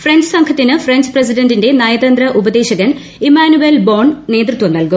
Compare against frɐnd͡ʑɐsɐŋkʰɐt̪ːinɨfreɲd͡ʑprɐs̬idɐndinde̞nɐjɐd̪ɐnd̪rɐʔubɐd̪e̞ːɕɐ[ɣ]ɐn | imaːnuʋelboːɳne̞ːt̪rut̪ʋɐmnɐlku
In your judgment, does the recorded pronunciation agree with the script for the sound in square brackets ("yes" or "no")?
yes